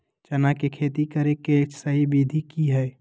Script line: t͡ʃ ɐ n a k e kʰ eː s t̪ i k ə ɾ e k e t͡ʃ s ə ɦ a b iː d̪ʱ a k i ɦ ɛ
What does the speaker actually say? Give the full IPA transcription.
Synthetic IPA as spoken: t͡ʃ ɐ n a k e kʰ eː t̪ i k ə ɾ e k e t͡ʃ s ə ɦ i b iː d̪ʱ i k i ɦ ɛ